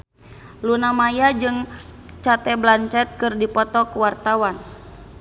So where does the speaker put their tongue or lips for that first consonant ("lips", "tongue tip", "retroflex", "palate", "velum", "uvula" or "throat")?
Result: tongue tip